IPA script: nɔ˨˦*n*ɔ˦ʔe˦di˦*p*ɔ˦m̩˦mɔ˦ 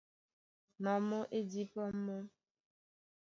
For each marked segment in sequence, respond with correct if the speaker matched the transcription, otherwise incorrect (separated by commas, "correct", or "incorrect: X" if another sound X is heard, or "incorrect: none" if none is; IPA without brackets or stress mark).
incorrect: m, correct